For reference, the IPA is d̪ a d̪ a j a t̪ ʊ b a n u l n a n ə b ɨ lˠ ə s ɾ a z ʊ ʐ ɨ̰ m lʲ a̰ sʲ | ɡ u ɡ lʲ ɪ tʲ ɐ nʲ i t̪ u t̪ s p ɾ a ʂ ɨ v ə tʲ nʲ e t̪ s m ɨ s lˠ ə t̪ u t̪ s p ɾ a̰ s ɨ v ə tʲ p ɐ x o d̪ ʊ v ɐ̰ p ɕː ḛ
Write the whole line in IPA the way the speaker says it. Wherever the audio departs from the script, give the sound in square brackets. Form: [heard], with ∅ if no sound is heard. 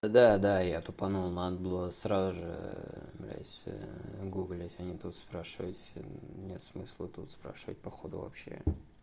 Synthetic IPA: d̪ a d̪ a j a t̪ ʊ [p] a n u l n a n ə b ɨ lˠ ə s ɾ a z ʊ ʐ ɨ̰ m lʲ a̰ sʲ | ɡ u ɡ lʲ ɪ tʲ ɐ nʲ i t̪ u t̪ s p ɾ a ʂ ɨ v ə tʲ nʲ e t̪ s m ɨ s lˠ ə t̪ u t̪ s p ɾ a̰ [ʂ] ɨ v ə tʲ p ɐ x o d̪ ʊ v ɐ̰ p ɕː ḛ